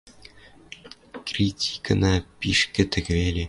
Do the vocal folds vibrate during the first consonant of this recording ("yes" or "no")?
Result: no